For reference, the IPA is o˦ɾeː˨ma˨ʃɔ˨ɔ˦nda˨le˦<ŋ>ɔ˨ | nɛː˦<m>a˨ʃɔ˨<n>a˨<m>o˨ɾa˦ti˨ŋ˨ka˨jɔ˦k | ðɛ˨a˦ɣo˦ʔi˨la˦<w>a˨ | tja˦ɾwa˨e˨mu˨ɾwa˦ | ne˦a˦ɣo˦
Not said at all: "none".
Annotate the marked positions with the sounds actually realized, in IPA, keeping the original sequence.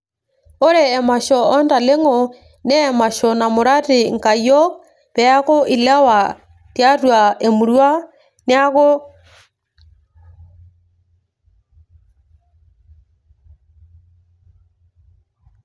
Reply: ŋ, m, n, m, w

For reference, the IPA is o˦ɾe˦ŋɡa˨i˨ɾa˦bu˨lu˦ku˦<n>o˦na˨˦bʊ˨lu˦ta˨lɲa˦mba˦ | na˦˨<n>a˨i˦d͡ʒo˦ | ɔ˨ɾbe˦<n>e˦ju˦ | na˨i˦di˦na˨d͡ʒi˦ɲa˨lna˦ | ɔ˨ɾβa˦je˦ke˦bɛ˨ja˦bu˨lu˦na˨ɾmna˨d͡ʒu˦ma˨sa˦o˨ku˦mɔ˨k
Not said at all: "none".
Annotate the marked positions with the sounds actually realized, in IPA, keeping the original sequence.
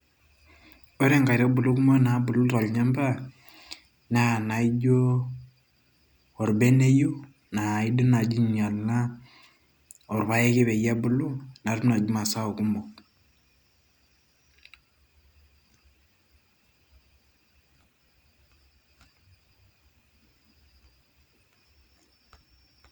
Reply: m, n, n

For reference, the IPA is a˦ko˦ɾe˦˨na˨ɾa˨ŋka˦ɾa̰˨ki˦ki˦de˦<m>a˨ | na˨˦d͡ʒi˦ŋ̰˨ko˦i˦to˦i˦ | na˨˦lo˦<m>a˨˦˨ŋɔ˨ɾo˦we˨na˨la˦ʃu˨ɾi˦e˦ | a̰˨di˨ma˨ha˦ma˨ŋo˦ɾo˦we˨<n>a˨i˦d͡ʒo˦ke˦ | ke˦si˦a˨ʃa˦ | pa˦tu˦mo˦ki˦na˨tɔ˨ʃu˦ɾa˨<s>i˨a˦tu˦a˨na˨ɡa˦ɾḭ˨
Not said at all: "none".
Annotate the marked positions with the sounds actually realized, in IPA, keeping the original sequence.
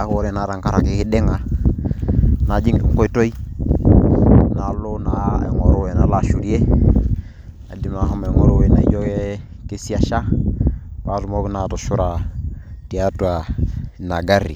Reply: ŋ, n, n, t

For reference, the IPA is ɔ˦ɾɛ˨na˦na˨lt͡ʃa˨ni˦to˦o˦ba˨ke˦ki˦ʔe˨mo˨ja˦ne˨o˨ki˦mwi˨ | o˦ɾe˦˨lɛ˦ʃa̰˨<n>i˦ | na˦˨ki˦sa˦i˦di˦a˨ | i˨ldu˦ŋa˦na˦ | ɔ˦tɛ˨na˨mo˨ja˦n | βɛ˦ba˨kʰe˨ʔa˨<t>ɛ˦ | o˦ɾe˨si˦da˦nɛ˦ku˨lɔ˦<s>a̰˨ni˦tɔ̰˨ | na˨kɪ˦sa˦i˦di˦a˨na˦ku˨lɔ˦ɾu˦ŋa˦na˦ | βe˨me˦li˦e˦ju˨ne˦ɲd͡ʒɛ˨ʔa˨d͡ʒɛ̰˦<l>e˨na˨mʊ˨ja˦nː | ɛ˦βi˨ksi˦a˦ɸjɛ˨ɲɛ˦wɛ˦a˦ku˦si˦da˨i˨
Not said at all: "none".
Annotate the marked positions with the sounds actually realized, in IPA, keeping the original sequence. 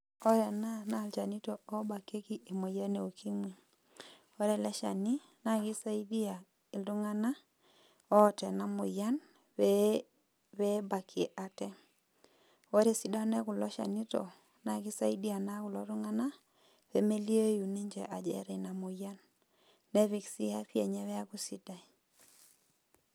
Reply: n, t, ʃ, ɾ

